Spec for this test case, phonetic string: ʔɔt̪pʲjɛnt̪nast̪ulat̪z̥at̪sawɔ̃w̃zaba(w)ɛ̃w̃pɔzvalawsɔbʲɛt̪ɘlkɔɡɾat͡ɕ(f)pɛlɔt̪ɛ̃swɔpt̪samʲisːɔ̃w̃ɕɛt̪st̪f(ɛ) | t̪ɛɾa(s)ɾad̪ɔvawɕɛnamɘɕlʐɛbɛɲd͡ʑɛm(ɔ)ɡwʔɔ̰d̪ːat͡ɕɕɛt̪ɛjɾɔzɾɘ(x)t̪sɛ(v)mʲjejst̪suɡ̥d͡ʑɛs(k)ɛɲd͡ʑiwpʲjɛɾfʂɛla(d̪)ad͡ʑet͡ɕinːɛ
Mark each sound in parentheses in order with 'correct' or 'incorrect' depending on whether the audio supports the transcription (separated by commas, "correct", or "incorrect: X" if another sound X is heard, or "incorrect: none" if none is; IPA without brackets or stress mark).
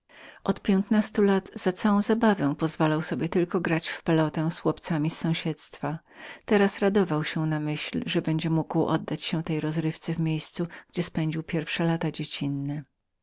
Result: incorrect: v, correct, incorrect: a, correct, incorrect: u, incorrect: f, correct, incorrect: p, incorrect: t̪